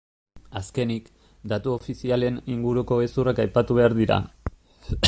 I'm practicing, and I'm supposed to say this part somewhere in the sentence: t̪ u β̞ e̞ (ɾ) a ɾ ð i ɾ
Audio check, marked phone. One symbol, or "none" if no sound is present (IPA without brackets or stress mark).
none